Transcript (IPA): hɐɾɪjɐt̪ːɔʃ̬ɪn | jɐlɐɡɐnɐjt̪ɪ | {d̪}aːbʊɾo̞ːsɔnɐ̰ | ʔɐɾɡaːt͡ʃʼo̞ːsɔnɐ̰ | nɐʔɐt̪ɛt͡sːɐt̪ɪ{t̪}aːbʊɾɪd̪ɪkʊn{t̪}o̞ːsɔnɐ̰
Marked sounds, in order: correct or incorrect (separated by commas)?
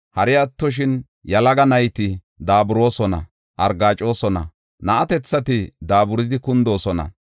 correct, incorrect, incorrect